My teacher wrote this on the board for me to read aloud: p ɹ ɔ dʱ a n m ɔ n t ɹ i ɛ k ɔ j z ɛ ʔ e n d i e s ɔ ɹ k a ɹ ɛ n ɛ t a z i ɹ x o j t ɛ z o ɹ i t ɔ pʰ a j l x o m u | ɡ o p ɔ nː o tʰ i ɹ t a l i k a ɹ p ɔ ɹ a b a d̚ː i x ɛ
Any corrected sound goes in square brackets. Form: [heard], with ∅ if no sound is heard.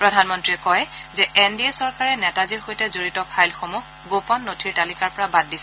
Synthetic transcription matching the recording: p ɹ ɔ dʱ a n m ɔ n t ɹ i ɛ k ɔ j z ɛ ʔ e n d i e s ɔ ɹ k a ɹ ɛ n ɛ t a z i ɹ x o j t ɛ z o ɹ i t ɔ pʰ a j l x o m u | ɡ o p ɔ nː o tʰ i ɹ t a l i k a ɹ p ɔ ɹ a b a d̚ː i [s] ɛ